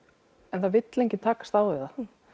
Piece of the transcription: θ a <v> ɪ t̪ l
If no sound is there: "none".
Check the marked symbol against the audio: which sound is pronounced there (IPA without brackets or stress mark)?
v